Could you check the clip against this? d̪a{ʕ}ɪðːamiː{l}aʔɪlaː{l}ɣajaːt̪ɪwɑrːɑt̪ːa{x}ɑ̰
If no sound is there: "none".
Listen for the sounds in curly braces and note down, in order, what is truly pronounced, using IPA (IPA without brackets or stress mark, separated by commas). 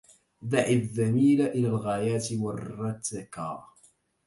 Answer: ʕ, l, l, k